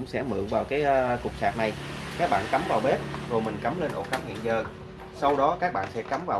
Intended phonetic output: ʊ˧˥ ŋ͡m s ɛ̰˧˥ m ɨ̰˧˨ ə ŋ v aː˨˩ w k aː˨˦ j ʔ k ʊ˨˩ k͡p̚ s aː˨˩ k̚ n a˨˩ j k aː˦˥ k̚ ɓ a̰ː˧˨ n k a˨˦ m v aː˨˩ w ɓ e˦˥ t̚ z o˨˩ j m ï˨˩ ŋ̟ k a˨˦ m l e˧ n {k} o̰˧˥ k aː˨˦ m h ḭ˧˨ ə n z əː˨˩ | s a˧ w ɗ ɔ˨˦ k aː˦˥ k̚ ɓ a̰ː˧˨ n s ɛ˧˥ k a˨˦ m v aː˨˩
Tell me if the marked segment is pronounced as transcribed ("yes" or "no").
no